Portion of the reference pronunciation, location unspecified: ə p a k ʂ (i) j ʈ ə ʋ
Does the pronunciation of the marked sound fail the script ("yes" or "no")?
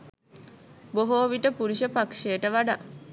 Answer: yes